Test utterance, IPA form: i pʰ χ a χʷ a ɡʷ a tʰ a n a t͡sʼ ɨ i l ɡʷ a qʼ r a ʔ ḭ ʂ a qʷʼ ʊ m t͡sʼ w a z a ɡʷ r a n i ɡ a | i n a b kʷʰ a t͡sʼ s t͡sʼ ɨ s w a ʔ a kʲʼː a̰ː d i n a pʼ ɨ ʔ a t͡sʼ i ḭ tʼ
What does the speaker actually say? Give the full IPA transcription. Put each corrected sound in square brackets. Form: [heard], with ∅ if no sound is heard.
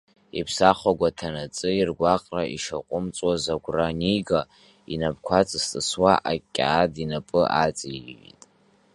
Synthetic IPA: i pʰ [s] a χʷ a ɡʷ a tʰ a n a t͡sʼ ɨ i [r] ɡʷ a qʼ r a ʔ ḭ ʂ a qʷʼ ʊ m t͡sʼ w a z a ɡʷ r a n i ɡ a | i n a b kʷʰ a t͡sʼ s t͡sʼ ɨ s w a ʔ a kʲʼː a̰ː d i n a pʼ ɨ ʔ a t͡sʼ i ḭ tʼ